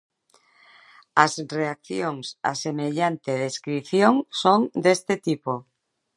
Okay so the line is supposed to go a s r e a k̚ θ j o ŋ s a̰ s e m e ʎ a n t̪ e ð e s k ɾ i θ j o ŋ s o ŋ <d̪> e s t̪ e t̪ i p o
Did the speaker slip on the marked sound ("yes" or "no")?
no